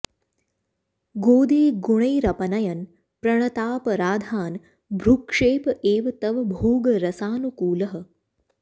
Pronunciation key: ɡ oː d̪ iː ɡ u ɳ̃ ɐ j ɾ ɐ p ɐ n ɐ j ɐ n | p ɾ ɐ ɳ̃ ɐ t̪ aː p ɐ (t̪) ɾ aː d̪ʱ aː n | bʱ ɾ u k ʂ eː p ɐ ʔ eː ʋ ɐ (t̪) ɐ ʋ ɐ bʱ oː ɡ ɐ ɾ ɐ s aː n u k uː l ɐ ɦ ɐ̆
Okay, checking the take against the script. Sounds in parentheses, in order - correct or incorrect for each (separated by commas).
incorrect, correct